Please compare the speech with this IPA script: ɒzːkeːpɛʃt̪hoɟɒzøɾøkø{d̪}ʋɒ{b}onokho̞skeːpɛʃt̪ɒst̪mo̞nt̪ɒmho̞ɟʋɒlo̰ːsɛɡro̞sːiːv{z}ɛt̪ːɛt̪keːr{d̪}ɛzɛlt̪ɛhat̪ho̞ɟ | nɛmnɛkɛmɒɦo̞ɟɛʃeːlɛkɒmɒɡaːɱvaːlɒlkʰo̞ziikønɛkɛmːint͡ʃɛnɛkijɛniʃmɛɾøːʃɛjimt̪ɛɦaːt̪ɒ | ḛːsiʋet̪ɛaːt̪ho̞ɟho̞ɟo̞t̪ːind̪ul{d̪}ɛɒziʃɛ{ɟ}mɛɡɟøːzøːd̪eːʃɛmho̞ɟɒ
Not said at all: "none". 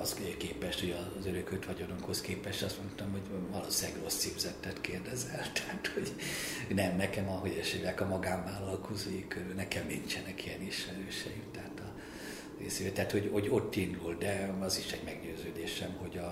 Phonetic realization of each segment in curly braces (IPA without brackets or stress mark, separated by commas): t̪, ɟ, z, d̪, d̪, ɟ